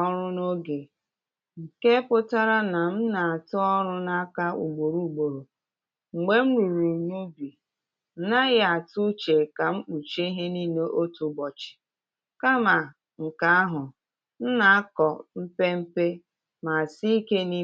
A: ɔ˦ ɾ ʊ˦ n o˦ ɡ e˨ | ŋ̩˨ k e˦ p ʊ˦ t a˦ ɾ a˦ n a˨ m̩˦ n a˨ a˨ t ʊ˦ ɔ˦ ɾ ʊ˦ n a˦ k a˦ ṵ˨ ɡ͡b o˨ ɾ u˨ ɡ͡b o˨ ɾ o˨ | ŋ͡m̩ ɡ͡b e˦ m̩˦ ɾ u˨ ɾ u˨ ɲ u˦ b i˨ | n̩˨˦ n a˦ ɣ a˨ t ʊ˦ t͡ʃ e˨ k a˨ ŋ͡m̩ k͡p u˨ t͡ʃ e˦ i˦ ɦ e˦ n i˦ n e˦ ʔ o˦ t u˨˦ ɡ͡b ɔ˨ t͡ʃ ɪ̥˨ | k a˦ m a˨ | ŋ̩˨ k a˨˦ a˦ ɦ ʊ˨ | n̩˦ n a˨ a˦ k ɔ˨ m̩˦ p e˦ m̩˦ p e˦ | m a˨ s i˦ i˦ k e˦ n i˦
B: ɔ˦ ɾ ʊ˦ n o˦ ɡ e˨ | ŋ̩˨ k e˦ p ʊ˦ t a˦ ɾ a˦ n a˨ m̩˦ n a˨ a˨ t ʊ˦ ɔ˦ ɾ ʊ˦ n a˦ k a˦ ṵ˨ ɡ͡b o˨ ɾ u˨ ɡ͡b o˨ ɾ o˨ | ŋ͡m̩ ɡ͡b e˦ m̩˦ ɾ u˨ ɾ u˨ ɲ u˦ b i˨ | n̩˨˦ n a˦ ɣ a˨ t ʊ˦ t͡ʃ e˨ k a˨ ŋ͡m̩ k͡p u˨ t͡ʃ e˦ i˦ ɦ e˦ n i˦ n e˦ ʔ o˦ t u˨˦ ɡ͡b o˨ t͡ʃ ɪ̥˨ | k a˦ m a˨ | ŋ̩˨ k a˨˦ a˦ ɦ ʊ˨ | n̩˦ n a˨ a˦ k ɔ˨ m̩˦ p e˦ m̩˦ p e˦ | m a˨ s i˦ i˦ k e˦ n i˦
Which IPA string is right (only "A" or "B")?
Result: A